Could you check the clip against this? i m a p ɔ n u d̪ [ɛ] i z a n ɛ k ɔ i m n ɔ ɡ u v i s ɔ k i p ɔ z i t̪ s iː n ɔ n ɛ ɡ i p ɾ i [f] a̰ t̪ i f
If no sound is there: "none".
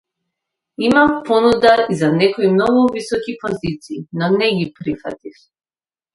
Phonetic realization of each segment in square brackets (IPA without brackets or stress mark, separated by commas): a, f